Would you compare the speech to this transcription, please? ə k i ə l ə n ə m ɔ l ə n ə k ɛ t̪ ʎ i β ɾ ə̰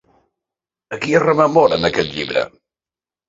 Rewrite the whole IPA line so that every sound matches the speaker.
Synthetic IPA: ə k i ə r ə m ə m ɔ ɾ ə n ə k ɛ t̪ ʎ i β ɾ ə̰